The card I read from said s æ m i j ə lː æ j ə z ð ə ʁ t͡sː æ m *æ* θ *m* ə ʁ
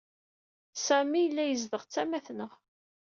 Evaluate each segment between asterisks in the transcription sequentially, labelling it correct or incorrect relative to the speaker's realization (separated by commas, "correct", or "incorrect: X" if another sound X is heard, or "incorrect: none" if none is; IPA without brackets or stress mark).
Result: correct, incorrect: n